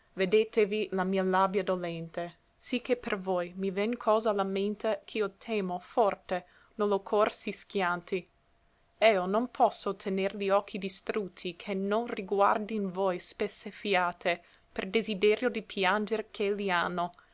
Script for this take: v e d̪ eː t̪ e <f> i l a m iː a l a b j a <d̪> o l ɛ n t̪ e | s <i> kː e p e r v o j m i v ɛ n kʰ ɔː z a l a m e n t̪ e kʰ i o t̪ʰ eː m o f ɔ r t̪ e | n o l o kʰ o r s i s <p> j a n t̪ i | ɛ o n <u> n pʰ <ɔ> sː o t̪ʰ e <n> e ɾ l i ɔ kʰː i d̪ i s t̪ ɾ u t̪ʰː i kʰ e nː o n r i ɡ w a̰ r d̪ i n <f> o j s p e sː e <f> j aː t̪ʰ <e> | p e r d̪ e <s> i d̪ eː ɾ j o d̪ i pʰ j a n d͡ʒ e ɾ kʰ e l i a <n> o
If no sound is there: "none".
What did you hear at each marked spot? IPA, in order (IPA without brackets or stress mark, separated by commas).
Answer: v, d̪, i, k, o, ɔ, n, v, f, e, z, nː